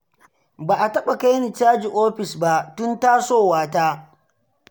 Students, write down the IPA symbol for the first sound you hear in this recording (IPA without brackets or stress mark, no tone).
b